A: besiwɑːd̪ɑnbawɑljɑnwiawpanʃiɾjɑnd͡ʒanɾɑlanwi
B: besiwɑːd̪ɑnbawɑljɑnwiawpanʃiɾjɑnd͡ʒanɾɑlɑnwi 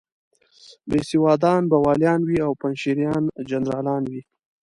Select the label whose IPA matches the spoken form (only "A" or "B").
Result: B